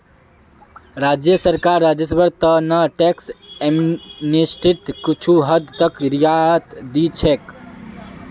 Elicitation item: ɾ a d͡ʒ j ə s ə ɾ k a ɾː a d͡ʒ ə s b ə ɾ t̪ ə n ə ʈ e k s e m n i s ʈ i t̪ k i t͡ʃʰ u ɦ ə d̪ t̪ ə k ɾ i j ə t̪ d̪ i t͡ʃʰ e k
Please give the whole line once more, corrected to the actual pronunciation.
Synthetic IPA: ɾ a d͡ʒ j ə s ə ɾ k a ɾː a d͡ʒ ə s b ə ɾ t̪ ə n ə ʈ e k s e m n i s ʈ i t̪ k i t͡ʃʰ u ɦ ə d̪ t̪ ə k ɾ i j a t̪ d̪ i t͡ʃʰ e k

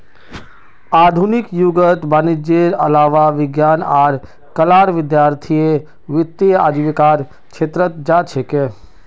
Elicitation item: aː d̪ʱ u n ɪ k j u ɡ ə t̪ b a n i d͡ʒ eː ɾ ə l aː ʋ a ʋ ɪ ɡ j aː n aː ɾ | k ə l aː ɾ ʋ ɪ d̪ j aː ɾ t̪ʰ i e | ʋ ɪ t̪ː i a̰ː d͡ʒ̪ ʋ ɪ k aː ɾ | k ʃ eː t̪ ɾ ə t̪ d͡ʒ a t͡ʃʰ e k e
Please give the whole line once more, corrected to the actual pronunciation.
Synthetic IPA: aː d̪ʱ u n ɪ k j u ɡ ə t̪ b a n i d͡ʒ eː ɾ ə l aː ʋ a ʋ ɪ ɡ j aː n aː ɾ | k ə l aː ɾ ʋ ɪ d̪ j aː ɾ t̪ʰ i e | ʋ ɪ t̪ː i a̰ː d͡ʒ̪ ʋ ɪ k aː ɾ | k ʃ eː t̪ ɾ ə t̪ d͡ʒ a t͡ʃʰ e k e

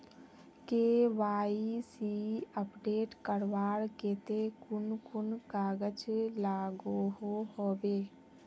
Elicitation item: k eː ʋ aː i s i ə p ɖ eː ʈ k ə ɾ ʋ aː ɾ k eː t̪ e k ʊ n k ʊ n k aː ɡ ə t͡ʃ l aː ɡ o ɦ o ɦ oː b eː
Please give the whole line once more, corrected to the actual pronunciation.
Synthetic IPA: k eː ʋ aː i s i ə p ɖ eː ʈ k ə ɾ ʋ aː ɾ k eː t̪ e k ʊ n k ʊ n k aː ɡ ə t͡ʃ l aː ɡ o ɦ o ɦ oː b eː

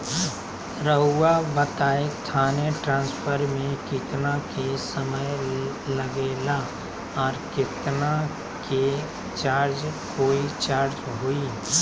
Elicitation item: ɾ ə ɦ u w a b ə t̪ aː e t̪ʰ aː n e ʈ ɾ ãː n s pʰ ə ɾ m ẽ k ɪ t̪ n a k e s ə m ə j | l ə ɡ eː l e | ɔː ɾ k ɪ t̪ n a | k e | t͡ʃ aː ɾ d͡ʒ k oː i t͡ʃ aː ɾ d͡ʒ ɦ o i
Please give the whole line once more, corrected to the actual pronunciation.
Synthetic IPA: ɾ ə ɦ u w a b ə t̪ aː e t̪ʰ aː n e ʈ ɾ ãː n s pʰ ə ɾ m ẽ k ɪ t̪ n a k e s ə m ə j | l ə ɡ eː l a | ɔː ɾ k ɪ t̪ n a | k e | t͡ʃ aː ɾ d͡ʒ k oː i t͡ʃ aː ɾ d͡ʒ ɦ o i

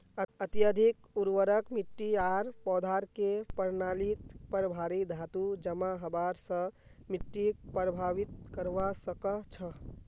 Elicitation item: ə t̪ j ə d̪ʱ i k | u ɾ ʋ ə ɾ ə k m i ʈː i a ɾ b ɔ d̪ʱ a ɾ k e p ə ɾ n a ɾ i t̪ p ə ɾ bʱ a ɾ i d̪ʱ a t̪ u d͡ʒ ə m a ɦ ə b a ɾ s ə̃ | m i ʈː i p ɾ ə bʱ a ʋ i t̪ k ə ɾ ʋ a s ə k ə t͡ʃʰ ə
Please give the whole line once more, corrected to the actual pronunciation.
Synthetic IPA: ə t̪ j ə d̪ʱ i k | u ɾ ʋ ə ɾ ə k m i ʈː i a ɾ p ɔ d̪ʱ a ɾ k e p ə ɾ n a l i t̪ p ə ɾ bʱ a ɾ i d̪ʱ a t̪ u d͡ʒ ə m a ɦ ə b a ɾ s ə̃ | m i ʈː i p ɾ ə bʱ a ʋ i t̪ k ə ɾ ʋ a s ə k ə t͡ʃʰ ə

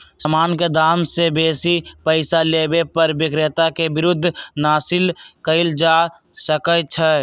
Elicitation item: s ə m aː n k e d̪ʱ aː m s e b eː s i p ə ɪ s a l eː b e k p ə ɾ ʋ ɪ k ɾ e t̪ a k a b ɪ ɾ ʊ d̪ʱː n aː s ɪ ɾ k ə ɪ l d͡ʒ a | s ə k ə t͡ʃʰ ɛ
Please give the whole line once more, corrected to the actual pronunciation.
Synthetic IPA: s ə m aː n k e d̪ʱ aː m s e b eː s i p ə ɪ s a l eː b e p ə ɾ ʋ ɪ k ɾ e t̪ a k e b ɪ ɾ ʊ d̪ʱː n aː s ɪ l k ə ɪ l d͡ʒ a | s ə k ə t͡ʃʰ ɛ

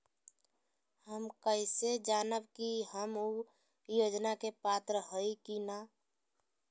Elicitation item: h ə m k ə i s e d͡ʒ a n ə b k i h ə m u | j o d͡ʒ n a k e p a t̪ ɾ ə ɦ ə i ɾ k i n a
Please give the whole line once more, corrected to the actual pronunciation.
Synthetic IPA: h ə m k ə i s e d͡ʒ a n ə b k i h ə m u | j o d͡ʒ n a k e p a t̪ ɾ ə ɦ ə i k i n a

